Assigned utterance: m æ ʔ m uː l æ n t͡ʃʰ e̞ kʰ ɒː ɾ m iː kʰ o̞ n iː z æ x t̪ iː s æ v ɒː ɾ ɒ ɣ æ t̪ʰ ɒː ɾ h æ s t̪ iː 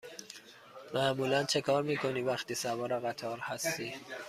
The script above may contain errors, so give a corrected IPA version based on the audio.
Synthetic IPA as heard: m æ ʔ m uː l æ n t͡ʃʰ e̞ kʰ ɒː ɾ m iː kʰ o̞ n iː v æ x t̪ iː s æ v ɒː ɾ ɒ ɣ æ t̪ʰ ɒː ɾ h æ s t̪ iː